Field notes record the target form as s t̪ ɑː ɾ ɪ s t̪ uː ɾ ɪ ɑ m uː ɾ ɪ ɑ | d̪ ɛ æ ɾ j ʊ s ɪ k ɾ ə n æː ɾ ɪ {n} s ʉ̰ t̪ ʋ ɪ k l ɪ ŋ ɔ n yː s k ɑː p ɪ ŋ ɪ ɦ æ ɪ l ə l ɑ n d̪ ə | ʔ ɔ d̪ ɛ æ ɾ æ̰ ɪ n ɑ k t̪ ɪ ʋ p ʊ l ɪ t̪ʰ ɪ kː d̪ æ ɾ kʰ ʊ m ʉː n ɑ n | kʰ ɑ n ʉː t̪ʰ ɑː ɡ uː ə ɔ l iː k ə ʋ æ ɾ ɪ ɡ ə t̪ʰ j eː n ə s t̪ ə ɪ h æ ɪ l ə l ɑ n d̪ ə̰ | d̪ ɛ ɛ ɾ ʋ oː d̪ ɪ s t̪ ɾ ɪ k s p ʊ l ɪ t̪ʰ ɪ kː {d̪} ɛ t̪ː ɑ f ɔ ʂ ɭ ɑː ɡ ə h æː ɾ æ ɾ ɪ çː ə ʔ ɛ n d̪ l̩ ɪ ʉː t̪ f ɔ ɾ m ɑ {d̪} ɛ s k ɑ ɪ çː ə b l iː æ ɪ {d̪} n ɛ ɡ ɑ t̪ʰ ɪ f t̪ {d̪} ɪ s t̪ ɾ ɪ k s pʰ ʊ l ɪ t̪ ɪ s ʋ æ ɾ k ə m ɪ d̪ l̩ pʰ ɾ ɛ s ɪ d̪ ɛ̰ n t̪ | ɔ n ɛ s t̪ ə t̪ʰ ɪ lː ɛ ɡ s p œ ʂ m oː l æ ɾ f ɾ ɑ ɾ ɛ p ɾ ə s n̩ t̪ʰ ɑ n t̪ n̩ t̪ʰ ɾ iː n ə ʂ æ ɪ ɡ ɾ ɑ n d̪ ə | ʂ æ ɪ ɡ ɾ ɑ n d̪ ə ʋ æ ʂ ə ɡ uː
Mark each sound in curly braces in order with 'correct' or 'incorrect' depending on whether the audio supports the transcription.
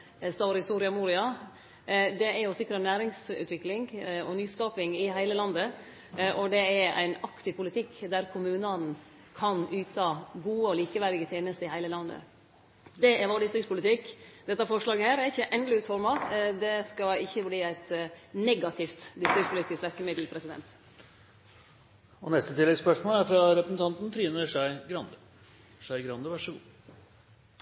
incorrect, correct, correct, incorrect, correct

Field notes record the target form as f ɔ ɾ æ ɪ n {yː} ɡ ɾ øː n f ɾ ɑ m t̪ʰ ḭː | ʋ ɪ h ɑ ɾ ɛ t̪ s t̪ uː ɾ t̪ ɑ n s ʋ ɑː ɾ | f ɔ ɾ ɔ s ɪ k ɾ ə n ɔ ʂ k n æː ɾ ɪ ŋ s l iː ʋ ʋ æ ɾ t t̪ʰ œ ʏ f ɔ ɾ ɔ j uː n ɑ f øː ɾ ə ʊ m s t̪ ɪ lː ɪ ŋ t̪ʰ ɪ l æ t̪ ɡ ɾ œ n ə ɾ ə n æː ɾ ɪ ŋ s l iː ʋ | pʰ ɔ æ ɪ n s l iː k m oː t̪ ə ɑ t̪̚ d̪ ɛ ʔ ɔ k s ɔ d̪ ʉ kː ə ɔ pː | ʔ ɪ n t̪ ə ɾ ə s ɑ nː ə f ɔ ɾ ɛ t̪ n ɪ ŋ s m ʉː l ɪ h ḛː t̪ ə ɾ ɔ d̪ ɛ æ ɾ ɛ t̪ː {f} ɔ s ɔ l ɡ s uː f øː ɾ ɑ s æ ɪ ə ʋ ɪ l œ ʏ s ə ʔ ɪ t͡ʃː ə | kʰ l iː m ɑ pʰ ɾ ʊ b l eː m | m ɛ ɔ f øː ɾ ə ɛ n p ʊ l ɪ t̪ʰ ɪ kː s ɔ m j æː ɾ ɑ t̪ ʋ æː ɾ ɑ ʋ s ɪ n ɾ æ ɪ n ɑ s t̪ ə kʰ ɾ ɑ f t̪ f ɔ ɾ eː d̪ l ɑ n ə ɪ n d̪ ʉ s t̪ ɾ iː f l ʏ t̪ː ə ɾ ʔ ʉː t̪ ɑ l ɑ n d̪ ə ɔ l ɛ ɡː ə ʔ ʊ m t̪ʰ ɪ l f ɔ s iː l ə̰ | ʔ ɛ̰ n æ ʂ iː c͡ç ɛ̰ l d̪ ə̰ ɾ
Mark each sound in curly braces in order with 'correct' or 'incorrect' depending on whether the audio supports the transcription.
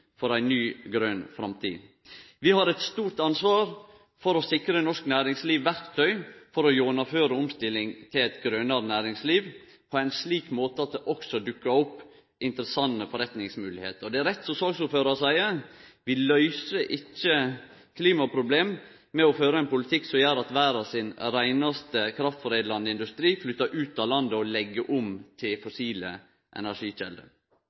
correct, incorrect

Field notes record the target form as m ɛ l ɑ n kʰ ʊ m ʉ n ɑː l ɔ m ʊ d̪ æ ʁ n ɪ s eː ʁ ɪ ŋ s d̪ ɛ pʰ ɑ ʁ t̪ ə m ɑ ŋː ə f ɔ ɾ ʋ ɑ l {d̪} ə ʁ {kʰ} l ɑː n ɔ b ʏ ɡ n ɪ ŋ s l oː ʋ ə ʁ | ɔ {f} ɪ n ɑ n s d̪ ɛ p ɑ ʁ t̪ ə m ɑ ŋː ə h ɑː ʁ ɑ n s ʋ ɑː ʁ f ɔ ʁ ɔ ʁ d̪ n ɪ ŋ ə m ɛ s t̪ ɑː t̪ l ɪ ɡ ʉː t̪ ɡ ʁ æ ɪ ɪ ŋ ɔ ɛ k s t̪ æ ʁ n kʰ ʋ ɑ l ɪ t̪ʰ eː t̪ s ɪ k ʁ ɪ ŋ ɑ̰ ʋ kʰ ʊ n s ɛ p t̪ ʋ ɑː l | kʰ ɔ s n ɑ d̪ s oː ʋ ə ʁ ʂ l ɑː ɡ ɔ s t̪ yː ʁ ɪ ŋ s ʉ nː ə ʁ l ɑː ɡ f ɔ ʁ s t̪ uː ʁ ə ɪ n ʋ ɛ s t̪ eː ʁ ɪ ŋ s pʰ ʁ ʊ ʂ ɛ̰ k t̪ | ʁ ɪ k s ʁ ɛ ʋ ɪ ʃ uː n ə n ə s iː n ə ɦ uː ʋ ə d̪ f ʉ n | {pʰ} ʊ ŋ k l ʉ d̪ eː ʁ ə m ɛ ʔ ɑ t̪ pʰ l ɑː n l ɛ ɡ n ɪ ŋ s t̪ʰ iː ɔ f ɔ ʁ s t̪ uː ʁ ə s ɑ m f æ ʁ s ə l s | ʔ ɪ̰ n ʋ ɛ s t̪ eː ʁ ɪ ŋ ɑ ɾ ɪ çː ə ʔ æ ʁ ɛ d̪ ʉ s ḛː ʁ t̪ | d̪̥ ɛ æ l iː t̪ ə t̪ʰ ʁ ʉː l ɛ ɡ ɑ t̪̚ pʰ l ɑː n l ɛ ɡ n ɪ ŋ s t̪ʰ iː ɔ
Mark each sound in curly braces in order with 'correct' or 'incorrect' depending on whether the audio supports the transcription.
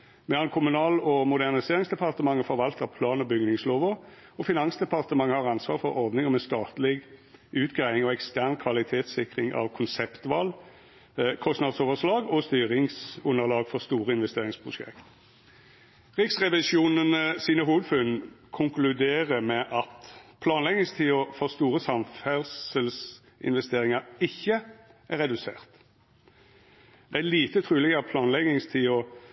incorrect, incorrect, correct, incorrect

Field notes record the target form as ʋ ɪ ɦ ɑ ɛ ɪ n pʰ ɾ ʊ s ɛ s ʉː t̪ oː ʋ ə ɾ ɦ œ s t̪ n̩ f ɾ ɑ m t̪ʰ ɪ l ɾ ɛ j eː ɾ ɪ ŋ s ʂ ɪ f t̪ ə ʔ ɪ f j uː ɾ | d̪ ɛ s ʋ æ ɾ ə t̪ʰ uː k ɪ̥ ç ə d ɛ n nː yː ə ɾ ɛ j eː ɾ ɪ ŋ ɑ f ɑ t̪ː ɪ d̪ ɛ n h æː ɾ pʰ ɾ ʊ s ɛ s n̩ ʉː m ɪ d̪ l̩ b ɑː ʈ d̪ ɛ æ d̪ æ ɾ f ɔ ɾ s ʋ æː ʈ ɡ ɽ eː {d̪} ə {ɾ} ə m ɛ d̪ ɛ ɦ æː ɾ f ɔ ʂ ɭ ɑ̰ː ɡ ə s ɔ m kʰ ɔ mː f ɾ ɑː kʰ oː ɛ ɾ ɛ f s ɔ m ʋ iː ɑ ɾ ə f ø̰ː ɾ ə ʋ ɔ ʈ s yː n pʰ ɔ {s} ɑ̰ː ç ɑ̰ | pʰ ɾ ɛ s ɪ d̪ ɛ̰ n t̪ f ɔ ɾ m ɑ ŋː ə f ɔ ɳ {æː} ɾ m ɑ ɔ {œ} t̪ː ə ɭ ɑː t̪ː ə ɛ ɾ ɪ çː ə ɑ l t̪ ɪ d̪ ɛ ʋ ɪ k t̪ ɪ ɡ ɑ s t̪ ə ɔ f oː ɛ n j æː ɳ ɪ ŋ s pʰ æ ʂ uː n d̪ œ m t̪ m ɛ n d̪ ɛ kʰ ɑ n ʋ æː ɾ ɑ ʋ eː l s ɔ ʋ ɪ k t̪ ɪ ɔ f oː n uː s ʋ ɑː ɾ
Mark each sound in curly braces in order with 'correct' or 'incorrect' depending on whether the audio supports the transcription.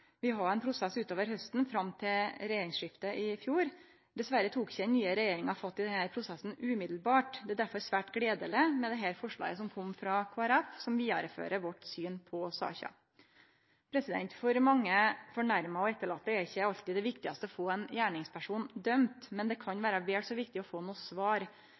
correct, incorrect, correct, incorrect, incorrect

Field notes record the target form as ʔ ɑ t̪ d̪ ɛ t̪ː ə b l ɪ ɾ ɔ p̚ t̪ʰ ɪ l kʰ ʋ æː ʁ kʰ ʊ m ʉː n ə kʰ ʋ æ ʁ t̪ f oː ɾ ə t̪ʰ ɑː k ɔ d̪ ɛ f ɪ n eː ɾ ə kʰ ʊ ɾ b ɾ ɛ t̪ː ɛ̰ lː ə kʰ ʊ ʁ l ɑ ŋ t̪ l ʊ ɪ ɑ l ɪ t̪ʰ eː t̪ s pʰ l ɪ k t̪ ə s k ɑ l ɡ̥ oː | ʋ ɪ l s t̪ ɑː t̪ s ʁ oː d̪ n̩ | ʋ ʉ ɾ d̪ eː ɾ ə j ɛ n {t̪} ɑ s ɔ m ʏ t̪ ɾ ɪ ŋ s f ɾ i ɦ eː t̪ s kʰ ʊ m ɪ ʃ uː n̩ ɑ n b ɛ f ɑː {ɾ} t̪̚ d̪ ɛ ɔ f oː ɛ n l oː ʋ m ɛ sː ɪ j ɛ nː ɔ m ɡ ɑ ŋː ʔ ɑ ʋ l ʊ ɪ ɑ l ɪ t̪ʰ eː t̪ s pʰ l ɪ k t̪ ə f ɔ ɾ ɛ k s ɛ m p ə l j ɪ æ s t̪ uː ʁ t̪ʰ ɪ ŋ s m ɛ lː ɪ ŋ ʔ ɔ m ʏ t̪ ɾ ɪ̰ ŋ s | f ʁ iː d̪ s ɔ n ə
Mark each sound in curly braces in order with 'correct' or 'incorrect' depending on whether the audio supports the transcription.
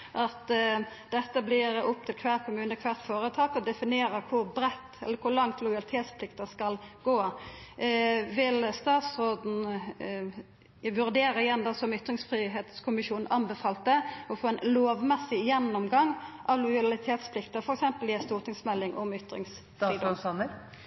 incorrect, incorrect

